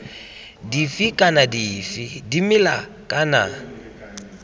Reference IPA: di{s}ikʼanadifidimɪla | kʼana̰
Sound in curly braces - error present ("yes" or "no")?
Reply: yes